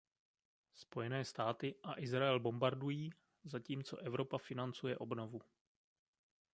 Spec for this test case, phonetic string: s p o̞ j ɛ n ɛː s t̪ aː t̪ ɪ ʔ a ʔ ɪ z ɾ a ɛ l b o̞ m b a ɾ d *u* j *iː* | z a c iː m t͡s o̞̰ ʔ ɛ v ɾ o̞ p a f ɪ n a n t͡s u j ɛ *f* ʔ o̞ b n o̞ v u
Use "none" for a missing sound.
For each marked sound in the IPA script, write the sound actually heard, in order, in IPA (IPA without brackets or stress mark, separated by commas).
u, iː, none